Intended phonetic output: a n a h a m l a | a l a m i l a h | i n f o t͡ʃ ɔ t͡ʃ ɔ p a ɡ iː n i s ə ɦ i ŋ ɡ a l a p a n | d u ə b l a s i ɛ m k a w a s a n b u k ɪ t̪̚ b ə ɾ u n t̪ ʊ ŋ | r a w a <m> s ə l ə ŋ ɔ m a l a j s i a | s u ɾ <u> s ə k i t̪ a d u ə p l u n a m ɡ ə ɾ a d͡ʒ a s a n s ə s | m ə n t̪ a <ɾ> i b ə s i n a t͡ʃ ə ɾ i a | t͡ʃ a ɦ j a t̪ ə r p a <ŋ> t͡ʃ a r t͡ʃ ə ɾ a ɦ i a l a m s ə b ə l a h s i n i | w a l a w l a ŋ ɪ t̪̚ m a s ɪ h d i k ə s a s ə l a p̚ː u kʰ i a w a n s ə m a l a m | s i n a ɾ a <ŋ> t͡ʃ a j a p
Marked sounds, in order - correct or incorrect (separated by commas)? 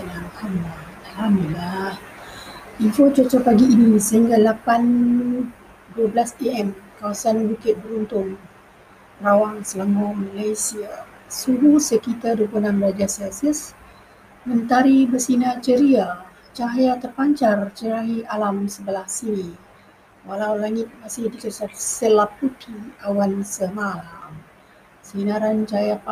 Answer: incorrect, correct, correct, incorrect, incorrect